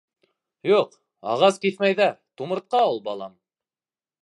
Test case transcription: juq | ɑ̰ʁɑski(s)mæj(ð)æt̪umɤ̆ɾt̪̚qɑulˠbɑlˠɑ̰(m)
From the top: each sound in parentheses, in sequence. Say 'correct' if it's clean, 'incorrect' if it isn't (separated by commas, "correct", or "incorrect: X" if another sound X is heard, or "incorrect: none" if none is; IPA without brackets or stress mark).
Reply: incorrect: θ, correct, correct